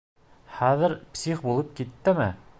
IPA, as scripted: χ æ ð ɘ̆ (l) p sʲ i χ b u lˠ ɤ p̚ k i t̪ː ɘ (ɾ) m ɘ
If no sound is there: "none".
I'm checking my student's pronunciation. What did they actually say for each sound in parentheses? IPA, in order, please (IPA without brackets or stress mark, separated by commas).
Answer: ɾ, none